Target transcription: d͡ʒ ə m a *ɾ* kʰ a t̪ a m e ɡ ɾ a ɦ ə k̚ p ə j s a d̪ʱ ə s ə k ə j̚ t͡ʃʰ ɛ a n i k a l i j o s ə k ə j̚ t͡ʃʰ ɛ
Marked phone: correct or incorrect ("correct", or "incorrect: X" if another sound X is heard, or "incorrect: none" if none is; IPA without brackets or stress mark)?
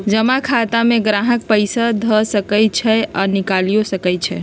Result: incorrect: none